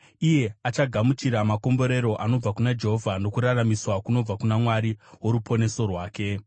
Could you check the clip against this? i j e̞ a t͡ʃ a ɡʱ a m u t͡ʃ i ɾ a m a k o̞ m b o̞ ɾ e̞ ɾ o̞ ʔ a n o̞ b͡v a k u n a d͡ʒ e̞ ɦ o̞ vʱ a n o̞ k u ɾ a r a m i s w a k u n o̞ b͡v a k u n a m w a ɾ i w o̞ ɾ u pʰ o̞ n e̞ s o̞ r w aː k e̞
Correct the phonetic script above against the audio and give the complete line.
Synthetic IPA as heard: i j e̞ a t͡ʃ a ɡʱ a m u t͡ʃ i ɾ a m a k o̞ m b o̞ ɾ e̞ ɾ o̞ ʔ a n o̞ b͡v a k u n a d͡ʒ e̞ ɦ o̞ vʱ a n o̞ k u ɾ a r a m i s w a k u n o̞ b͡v a k u n a m w a ɾ i w o̞ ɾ u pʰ o̞ n e̞ s o̞ r w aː k e̞